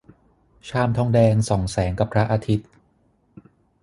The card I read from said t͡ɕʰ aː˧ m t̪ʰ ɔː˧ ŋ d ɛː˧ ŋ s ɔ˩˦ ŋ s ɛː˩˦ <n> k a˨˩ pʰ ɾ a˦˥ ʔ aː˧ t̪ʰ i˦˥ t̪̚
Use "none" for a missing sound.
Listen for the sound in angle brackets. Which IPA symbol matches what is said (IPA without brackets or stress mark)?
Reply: ŋ